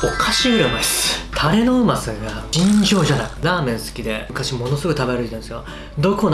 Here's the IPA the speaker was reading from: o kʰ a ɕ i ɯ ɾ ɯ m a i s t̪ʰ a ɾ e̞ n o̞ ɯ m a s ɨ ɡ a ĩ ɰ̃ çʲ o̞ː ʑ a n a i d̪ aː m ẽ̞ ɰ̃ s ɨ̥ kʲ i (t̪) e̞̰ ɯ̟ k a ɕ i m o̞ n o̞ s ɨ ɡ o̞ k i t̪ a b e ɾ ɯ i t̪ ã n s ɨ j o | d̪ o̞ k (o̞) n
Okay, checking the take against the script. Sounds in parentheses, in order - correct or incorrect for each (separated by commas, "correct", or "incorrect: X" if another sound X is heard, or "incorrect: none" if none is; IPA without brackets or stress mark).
incorrect: d̪, correct